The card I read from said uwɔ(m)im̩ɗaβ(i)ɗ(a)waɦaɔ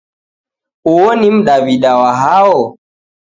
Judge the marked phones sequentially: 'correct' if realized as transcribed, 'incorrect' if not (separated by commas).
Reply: incorrect, correct, correct